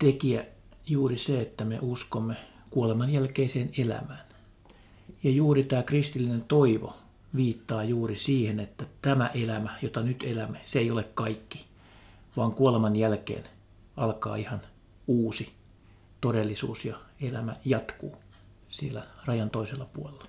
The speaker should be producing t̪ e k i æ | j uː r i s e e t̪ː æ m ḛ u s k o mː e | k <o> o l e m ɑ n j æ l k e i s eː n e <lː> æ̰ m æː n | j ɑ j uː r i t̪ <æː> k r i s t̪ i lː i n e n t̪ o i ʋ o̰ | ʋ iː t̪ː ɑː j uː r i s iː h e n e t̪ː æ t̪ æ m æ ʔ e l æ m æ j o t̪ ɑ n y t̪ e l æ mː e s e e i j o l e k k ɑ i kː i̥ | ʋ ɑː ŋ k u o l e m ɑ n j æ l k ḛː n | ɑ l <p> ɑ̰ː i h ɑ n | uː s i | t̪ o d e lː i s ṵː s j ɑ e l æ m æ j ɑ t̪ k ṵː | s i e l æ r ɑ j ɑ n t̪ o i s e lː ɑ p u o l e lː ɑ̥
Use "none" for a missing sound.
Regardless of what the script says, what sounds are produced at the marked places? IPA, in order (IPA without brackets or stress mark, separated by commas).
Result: u, l, æː, k